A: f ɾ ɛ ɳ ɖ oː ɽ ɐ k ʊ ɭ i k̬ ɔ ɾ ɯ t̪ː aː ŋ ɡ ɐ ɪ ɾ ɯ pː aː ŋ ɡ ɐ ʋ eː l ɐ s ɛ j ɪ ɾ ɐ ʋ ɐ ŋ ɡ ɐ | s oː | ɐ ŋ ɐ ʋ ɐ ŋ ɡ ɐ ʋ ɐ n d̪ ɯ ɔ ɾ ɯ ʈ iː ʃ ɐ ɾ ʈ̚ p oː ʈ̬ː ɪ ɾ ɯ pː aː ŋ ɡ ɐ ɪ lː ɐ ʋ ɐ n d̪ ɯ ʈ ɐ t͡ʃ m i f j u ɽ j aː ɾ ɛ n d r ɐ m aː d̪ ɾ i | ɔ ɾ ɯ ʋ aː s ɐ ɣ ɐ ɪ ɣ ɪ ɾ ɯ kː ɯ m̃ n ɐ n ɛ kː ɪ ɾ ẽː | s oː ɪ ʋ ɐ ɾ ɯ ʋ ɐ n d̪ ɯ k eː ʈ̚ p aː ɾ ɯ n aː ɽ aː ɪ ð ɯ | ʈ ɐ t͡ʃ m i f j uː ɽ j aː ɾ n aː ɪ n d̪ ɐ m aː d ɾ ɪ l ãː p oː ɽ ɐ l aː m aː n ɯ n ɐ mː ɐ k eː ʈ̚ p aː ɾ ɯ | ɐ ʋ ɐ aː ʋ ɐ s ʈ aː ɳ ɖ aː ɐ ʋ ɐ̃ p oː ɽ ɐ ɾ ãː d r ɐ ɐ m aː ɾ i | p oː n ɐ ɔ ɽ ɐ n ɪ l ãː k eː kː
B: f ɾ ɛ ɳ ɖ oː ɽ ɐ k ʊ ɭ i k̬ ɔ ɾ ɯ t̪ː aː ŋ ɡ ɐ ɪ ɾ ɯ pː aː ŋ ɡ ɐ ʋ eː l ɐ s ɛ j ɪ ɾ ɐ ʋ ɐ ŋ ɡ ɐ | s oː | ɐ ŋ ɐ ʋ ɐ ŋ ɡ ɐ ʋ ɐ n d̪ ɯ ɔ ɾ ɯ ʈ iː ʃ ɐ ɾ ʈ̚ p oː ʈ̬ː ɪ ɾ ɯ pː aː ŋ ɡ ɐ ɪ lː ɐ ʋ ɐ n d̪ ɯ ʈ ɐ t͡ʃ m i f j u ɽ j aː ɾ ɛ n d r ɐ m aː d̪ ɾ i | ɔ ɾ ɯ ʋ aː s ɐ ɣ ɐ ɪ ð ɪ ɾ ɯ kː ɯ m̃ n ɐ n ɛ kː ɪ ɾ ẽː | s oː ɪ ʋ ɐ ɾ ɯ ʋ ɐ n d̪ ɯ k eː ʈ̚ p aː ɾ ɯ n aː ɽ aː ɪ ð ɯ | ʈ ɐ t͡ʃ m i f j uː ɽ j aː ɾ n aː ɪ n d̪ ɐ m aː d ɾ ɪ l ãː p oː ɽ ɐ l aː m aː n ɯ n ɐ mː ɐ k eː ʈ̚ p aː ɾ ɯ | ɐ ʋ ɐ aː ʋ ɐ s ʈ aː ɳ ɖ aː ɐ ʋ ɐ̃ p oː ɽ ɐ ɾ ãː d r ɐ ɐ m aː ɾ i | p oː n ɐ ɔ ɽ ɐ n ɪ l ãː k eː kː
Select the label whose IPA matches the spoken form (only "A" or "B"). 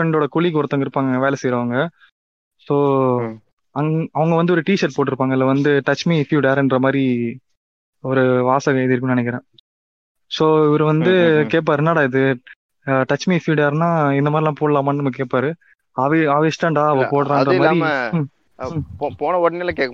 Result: B